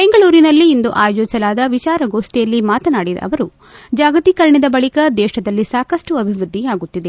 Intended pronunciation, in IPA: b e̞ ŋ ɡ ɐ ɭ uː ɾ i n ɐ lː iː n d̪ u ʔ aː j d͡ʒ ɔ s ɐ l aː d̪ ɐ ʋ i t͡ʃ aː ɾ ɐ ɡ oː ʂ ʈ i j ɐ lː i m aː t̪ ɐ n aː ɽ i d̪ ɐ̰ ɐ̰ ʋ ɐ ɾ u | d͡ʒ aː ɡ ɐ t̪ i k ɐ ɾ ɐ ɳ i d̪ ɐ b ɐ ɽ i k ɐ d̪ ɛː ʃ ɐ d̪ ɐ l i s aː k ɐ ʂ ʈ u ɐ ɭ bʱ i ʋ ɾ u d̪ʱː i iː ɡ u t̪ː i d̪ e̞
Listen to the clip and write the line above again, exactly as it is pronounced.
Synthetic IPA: b e̞ ŋ ɡ ɐ ɭ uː ɾ i n ɐ lː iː n d̪ u ʔ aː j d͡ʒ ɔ s ɐ l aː d̪ ɐ ʋ i t͡ʃ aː ɾ ɐ ɡ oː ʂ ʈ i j ɐ lː i m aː t̪ ɐ n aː ɽ i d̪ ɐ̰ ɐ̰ ʋ ɐ ɾ u | d͡ʒ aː ɡ ɐ t̪ i k ɐ ɾ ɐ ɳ i d̪ ɐ b ɐ ɭ i k ɐ d̪ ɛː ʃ ɐ d̪ ɐ lː i s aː k ɐ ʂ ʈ u ɐ bʱ i ʋ ɾ u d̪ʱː i aː ɡ u t̪ː i d̪ e̞